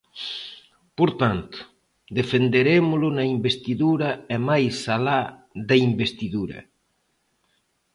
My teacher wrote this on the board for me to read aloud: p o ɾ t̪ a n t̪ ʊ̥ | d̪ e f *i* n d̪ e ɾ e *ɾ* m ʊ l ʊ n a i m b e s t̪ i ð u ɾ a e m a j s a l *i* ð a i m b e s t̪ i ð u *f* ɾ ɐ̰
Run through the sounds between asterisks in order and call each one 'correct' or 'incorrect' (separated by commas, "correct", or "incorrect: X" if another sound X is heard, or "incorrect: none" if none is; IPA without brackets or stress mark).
incorrect: e, incorrect: none, incorrect: a, incorrect: none